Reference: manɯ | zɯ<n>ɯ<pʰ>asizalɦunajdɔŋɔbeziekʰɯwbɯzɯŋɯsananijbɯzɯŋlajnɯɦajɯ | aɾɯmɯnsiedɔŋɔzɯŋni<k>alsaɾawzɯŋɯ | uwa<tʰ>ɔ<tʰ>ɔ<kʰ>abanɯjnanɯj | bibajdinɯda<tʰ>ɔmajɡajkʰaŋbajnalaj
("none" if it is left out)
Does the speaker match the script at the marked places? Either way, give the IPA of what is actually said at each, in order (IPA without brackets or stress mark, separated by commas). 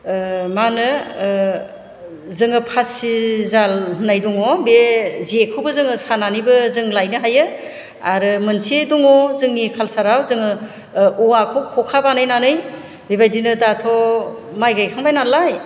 ŋ, pʰ, kʰ, kʰ, kʰ, kʰ, tʰ